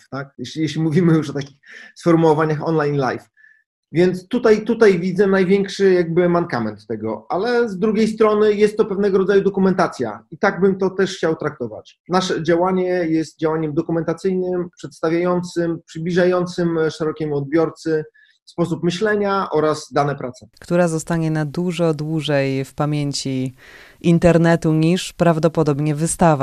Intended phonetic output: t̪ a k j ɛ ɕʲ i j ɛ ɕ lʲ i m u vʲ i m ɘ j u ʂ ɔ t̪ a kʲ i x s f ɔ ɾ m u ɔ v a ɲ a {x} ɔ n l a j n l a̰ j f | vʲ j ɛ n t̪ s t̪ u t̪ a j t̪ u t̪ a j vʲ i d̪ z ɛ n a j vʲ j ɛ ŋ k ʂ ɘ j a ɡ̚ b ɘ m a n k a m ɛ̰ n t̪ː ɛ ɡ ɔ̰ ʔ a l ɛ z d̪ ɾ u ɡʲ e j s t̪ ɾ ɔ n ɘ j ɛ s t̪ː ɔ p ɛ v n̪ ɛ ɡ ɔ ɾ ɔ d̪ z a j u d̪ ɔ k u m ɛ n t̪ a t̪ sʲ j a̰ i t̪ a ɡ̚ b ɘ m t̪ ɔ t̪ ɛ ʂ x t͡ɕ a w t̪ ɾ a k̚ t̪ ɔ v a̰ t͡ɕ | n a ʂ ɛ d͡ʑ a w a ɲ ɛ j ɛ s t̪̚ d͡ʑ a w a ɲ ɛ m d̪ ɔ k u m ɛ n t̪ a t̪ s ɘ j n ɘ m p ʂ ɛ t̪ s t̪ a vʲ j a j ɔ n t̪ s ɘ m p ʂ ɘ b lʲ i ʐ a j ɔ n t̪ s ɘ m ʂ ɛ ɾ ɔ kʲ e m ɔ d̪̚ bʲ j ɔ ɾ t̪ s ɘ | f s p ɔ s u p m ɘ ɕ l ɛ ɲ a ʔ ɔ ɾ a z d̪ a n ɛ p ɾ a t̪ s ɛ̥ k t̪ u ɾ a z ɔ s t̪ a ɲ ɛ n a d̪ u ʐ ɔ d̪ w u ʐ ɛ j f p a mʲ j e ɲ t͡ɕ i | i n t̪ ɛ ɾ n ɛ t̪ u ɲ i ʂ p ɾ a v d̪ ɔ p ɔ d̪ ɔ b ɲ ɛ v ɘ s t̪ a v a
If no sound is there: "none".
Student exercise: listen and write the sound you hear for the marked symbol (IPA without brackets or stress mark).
x